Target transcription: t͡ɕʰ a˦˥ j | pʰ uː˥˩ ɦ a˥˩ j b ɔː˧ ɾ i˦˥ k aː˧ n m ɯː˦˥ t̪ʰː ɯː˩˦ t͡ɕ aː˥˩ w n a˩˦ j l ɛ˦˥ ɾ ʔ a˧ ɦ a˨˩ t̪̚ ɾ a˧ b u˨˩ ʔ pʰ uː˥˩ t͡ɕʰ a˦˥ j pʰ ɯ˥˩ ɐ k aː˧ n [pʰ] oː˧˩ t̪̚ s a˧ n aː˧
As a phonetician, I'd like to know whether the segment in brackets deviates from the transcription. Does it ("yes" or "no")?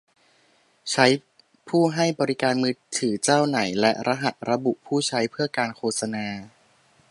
yes